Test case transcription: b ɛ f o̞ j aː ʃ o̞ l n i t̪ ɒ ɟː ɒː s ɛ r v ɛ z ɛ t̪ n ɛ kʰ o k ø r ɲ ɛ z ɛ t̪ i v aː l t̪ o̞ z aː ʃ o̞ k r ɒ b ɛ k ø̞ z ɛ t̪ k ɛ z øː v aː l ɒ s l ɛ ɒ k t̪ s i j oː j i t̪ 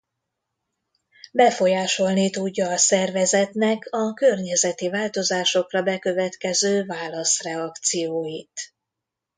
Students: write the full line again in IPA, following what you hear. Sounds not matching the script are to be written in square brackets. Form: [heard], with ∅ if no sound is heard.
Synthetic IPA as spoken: b ɛ f o̞ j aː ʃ o̞ l n i t̪ [u] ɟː ɒː s ɛ r v ɛ z ɛ t̪ n ɛ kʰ [ɒ] k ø r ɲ ɛ z ɛ t̪ i v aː l t̪ o̞ z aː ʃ o̞ k r ɒ b ɛ k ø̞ [v] ɛ t̪ k ɛ z øː v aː l ɒ s [r] ɛ ɒ k t̪ s i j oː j i t̪